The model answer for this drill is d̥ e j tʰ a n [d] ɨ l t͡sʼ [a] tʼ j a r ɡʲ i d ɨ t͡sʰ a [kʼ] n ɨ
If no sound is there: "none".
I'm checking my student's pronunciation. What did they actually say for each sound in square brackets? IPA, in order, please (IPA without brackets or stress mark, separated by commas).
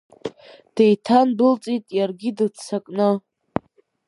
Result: b, i, kʼ